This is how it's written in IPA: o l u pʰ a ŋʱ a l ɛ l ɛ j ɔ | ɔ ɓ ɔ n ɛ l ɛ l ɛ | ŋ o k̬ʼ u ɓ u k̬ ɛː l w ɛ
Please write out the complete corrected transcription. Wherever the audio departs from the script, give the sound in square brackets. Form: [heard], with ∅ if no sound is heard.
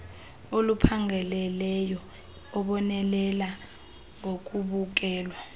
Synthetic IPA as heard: o l u pʰ a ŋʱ [ɛ] l ɛ l ɛ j ɔ | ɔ ɓ ɔ n ɛ l ɛ l [a] | ŋ o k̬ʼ u ɓ u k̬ ɛː l w [a]

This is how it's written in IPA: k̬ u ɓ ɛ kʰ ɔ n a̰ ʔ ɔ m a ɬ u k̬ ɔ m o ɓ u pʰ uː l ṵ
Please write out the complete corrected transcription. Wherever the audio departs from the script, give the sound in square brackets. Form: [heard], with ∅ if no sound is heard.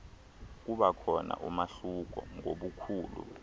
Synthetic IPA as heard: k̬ u ɓ [a] kʰ ɔ n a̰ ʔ [u] m a ɬ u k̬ ɔ [ŋ] o ɓ u [kʰ] uː l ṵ

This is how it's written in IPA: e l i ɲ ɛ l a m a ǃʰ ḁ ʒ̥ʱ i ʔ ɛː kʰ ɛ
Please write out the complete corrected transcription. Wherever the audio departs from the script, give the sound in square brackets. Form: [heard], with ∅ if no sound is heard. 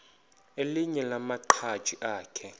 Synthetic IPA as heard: e l i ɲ ɛ l a m a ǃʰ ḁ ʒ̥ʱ i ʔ [aː] kʰ ɛ

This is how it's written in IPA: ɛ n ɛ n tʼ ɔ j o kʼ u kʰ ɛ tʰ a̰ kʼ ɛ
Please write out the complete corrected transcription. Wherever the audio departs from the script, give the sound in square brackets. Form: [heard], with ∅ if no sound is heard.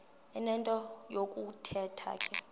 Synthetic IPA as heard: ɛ n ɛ n tʼ ɔ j o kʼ u [tʰ] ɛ tʰ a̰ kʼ ɛ

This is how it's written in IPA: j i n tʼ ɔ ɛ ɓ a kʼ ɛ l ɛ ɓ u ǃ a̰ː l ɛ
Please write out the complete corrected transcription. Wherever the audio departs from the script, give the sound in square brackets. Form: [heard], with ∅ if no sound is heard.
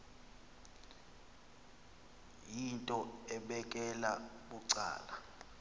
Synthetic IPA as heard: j i n tʼ ɔ ɛ ɓ [ɛ] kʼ ɛ l [a] ɓ u [ǀ] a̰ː l [a]

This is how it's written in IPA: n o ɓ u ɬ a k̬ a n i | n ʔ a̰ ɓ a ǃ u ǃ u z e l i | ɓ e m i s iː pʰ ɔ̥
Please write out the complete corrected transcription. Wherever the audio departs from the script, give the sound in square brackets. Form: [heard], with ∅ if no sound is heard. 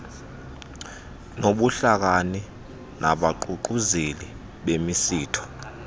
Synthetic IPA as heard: n o ɓ u ɬ a k̬ a n i | n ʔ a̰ ɓ a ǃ u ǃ u z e l i | ɓ e m i s iː [tʰ] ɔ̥

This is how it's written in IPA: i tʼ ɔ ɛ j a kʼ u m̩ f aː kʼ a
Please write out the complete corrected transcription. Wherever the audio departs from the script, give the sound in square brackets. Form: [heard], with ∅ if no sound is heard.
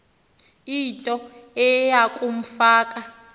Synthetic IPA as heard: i tʼ ɔ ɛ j a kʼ u m̩ f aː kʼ a

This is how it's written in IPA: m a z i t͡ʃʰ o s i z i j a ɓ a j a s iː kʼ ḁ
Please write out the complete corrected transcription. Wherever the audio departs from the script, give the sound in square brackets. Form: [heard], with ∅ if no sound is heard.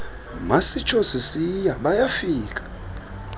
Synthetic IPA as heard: m a [s] i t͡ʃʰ o s i [s] i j a ɓ a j a [f] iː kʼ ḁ

